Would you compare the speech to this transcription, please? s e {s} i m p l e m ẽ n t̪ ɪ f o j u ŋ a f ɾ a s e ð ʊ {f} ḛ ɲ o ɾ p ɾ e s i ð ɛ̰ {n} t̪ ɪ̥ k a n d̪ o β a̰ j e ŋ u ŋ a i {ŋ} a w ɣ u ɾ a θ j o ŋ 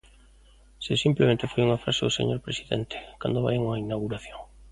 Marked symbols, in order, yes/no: yes, no, yes, no

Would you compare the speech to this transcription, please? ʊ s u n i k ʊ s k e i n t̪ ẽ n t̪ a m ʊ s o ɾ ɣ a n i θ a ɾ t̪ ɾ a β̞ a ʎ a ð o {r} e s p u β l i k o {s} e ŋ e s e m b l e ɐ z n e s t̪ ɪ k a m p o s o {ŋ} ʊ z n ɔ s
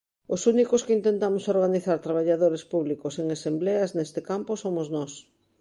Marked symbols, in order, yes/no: no, yes, no

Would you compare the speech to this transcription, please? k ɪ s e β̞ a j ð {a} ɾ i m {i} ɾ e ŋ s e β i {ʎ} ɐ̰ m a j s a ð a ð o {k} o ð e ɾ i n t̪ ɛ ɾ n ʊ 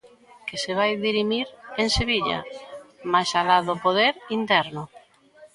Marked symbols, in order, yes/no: no, yes, yes, no

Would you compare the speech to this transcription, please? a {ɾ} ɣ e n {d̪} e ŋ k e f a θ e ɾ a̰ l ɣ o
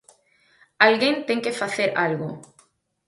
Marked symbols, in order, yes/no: no, no

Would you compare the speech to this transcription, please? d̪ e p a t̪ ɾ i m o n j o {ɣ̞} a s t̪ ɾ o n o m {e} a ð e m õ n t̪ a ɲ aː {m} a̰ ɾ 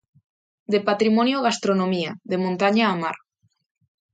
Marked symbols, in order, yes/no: yes, no, yes

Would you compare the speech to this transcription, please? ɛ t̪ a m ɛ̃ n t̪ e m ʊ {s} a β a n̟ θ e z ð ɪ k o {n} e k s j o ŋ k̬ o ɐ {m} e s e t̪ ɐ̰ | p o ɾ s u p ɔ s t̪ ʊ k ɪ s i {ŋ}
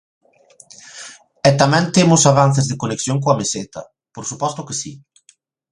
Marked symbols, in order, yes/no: yes, yes, yes, no

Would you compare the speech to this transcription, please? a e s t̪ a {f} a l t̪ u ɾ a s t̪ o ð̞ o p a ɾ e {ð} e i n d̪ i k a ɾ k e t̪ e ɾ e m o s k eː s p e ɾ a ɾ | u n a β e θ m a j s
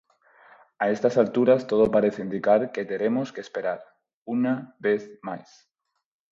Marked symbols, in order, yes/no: no, no

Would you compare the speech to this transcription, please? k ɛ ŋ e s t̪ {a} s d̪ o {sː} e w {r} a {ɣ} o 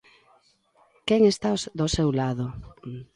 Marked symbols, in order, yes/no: yes, no, no, no

